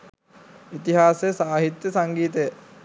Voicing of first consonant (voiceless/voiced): voiceless